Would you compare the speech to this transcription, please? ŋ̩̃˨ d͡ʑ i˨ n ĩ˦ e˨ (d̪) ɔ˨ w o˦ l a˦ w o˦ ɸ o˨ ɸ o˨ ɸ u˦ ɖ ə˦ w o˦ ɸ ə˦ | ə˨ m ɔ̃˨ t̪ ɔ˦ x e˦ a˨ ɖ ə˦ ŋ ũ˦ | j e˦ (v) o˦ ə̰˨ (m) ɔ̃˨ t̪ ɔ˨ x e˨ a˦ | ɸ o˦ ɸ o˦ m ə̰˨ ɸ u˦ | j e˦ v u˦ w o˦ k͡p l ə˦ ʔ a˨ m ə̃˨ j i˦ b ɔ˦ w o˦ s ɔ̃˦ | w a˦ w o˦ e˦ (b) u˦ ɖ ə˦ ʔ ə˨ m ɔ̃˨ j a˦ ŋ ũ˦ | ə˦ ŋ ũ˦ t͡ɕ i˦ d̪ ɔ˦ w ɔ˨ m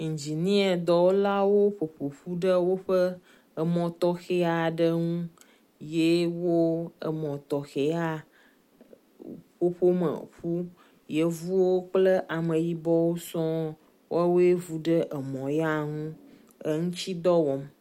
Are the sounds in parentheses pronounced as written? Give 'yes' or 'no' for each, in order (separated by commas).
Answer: yes, no, yes, no